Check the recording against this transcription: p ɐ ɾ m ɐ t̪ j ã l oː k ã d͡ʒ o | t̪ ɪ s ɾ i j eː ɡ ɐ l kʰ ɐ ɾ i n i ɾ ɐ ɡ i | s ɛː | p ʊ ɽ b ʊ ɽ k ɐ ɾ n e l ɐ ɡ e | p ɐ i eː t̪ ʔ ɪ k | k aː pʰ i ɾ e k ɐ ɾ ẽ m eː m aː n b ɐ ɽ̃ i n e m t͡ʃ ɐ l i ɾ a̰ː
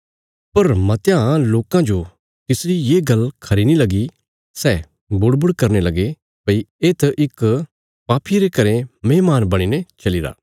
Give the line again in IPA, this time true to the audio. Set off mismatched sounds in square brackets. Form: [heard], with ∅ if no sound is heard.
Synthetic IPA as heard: p ɐ ɾ m ɐ t̪ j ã l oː k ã d͡ʒ o | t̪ ɪ s ɾ i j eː ɡ ɐ l kʰ ɐ ɾ i n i [l] ɐ ɡ i | s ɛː | [b] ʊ ɽ b ʊ ɽ k ɐ ɾ n e l ɐ ɡ e | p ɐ i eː t̪ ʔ ɪ k | [p] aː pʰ i ɾ e k ɐ ɾ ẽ m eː m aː n b ɐ ɽ̃ i n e [∅] t͡ʃ ɐ l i ɾ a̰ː